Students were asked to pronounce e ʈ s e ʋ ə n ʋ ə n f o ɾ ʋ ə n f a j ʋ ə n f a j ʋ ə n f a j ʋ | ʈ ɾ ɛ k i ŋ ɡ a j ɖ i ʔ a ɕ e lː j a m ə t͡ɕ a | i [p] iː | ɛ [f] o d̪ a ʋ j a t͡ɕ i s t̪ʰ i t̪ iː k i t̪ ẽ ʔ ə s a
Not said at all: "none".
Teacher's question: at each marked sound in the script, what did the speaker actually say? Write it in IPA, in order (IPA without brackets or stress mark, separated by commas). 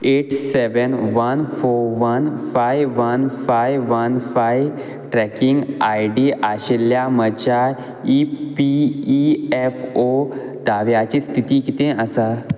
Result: p, f